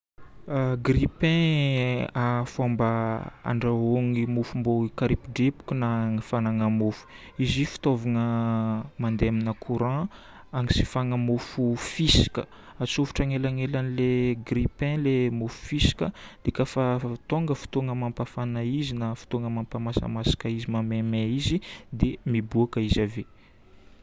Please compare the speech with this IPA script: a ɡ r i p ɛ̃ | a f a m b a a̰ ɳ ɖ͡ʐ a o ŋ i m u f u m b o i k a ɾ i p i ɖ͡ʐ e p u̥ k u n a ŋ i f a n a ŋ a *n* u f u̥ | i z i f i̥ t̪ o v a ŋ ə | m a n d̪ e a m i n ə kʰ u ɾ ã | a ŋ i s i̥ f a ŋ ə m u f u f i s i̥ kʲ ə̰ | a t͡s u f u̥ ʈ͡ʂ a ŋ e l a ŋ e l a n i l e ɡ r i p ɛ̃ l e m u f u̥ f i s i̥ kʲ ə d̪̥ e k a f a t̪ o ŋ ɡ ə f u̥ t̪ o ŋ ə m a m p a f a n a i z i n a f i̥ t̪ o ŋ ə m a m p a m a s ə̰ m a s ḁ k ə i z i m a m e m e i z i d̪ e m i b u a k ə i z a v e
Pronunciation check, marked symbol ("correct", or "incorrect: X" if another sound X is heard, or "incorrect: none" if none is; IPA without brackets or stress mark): incorrect: m